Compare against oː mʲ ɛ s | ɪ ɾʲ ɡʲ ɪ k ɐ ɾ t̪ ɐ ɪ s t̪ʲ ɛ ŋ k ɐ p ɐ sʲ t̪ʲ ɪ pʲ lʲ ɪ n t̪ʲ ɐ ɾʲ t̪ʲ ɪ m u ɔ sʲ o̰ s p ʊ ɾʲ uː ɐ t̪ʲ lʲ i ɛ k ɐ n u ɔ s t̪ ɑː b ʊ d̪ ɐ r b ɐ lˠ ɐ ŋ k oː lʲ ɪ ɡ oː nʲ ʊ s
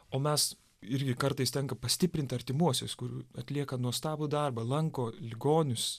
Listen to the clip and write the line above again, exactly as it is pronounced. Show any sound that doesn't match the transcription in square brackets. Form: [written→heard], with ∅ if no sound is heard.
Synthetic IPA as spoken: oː mʲ ɛ s | ɪ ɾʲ ɡʲ ɪ k ɐ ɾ t̪ ɐ ɪ s t̪ʲ ɛ ŋ k ɐ p ɐ sʲ t̪ʲ ɪ pʲ [lʲ→ɾʲ] ɪ n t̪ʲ ɐ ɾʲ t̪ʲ ɪ m u ɔ sʲ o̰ s [p→k] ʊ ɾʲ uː ɐ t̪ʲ lʲ i ɛ k ɐ n u ɔ s t̪ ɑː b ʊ d̪ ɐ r b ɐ lˠ ɐ ŋ k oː lʲ ɪ ɡ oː nʲ ʊ s